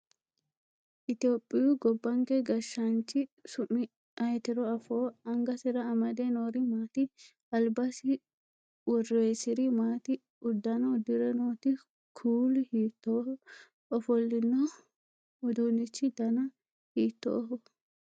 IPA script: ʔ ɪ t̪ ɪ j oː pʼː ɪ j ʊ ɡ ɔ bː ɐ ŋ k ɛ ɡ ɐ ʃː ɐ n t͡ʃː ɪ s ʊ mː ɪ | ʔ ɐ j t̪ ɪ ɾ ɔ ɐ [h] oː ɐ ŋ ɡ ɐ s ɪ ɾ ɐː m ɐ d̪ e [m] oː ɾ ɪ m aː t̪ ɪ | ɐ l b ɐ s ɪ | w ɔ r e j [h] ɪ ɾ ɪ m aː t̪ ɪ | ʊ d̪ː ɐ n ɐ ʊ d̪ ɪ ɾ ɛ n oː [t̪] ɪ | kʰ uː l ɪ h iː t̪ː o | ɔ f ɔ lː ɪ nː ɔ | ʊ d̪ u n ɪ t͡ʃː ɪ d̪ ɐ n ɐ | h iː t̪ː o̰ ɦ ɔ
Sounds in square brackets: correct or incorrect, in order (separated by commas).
incorrect, incorrect, incorrect, correct